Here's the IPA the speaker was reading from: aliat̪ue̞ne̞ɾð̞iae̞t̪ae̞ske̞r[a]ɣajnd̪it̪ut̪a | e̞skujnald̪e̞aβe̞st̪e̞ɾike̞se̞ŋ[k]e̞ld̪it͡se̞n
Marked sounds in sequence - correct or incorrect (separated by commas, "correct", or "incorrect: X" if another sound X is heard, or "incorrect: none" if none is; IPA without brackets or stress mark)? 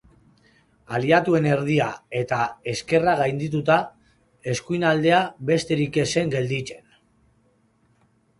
correct, incorrect: ɡ